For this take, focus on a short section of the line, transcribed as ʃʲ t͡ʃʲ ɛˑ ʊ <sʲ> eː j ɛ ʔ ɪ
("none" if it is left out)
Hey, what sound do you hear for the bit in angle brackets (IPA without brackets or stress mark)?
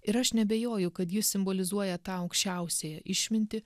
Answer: sʲ